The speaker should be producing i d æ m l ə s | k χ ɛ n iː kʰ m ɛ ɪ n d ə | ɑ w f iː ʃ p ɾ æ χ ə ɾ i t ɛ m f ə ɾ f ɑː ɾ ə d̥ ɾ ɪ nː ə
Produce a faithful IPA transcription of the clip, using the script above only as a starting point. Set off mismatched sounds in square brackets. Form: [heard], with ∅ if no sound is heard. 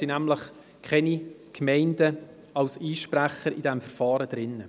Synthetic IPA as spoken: i [n] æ m l ə [χ] | k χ ɛ n [i] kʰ m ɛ ɪ n d ə | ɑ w [s] iː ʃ p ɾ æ χ ə ɾ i [d] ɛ m f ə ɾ f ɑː ɾ ə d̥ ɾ ɪ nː ə